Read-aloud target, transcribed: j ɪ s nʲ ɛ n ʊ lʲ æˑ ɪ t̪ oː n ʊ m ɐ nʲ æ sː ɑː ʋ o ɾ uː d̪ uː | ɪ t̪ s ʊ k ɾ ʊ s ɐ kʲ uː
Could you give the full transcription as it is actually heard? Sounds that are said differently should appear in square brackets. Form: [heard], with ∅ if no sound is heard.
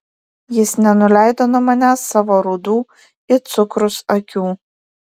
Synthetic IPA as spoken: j ɪ s nʲ ɛ n ʊ lʲ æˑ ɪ [d̪] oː n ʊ m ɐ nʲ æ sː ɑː ʋ o ɾ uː d̪ uː | ɪ t̪ s ʊ k ɾ ʊ s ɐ kʲ uː